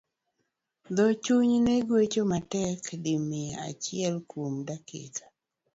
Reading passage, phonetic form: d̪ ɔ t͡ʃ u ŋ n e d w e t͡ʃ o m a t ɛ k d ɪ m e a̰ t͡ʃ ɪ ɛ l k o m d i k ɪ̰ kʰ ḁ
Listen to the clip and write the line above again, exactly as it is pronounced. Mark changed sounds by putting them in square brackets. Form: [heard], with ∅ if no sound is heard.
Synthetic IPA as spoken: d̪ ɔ t͡ʃ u [ɲ] n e [ɡ] w e t͡ʃ o m a t ɛ k d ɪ m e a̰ t͡ʃ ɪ ɛ l k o m d [a] k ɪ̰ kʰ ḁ